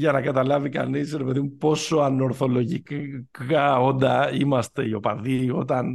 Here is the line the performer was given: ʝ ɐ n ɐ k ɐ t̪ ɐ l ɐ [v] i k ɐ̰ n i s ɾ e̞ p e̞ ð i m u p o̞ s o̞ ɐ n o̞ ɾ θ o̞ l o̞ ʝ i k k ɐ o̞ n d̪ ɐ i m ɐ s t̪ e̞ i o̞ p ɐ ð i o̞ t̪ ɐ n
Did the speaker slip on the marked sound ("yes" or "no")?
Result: no